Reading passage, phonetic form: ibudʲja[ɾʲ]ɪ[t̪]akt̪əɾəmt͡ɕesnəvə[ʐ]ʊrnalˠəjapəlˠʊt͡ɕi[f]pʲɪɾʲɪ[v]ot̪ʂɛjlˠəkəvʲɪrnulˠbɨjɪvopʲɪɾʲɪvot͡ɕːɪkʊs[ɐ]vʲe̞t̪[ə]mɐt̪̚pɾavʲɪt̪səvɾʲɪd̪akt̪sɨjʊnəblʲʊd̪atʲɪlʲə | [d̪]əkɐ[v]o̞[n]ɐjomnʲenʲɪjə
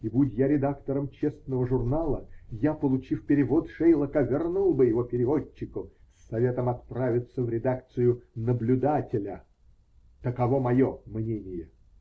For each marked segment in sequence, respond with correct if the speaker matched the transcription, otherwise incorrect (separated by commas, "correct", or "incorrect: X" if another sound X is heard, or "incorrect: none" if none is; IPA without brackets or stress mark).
correct, incorrect: d̪, correct, correct, correct, correct, correct, incorrect: t̪, correct, incorrect: m